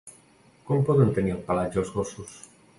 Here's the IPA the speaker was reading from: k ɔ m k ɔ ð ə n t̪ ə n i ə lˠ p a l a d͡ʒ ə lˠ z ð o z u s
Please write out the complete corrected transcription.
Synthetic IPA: k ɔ m p ɔ ð ə n t̪ ə n i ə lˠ p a l a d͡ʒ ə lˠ z ɣ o s u s